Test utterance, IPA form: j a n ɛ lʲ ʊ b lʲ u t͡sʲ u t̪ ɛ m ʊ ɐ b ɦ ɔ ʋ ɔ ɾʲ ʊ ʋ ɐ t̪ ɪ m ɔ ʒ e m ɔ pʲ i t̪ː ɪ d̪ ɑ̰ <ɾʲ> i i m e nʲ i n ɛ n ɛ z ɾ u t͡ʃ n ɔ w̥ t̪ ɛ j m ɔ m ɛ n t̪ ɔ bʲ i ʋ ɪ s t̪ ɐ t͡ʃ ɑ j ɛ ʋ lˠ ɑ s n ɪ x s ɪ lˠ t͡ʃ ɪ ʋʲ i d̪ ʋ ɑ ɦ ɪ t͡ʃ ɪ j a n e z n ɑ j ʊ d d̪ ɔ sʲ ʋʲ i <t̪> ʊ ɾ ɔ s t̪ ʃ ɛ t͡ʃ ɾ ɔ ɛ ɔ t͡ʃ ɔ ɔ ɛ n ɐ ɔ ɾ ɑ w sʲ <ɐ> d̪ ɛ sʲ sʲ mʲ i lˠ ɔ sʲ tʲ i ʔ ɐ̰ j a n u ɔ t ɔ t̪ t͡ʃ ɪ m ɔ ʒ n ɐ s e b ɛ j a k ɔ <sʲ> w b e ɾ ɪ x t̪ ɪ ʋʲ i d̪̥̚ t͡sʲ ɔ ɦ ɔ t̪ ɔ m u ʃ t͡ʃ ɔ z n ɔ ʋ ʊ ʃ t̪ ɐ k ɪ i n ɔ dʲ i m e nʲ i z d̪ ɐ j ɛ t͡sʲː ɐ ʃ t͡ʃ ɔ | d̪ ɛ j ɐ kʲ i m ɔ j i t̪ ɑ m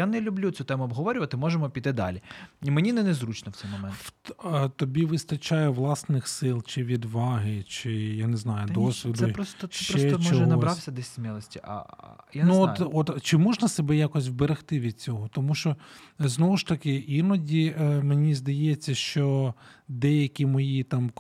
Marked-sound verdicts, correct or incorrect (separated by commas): incorrect, incorrect, correct, correct